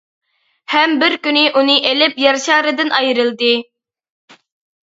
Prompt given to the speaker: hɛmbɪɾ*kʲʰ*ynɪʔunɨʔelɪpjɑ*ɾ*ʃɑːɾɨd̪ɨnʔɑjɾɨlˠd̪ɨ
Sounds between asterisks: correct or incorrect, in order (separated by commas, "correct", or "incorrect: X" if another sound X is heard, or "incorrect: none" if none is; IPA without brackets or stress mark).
incorrect: kʲ, correct